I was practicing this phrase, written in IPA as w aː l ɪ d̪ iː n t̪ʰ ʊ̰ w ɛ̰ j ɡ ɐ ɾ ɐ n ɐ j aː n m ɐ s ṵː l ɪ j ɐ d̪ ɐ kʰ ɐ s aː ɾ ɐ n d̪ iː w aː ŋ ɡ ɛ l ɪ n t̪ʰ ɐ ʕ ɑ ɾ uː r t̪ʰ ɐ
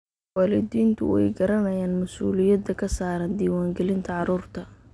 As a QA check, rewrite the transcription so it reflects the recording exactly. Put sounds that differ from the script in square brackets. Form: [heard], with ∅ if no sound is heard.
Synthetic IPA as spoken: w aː l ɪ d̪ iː n t̪ʰ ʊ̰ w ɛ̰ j ɡ ɐ ɾ ɐ n ɐ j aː n m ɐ s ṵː l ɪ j ɐ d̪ ɐ kʰ ɐ s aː ɾ ɐ n d̪ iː w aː ŋ ɡ ɛ l ɪ n t̪ʰ ɐ ʕ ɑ ɾ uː r t̪ʰ ɐ